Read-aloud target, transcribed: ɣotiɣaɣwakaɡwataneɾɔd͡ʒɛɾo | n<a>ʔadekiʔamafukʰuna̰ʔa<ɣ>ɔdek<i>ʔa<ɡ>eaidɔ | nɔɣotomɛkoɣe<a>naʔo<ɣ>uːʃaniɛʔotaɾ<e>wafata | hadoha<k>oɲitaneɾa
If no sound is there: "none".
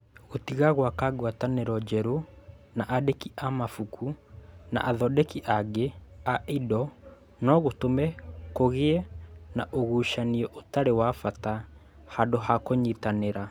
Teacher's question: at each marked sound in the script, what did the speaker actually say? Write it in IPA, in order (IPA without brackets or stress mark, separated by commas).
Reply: a, ð, i, ɡ, ɛ, ɣ, e, k